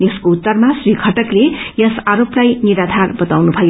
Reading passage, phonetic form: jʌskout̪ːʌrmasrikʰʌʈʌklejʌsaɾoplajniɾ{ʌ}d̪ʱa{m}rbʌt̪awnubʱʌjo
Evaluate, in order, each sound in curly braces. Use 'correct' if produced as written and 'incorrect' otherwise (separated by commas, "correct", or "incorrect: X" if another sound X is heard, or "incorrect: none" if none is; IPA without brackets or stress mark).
incorrect: a, incorrect: none